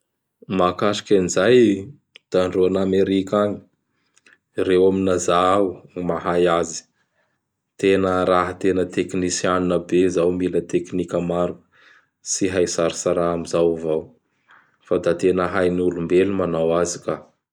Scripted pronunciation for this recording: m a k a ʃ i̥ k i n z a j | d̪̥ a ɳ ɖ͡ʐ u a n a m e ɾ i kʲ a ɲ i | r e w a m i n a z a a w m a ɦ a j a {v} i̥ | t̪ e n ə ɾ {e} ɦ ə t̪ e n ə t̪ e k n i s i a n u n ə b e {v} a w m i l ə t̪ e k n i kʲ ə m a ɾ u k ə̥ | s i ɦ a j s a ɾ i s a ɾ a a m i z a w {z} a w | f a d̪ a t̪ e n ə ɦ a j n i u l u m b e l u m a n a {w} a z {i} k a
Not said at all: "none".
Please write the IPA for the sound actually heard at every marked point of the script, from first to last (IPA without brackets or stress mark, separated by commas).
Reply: z, a, z, v, w, i